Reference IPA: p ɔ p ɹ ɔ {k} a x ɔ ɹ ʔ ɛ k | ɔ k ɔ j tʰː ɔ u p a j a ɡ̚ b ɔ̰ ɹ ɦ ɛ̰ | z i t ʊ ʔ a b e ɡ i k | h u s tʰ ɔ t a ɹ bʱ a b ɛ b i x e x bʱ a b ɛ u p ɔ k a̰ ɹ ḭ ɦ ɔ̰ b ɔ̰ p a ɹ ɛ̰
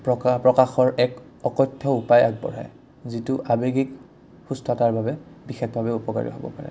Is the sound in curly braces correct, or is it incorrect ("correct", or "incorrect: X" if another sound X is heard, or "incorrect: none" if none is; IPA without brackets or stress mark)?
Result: correct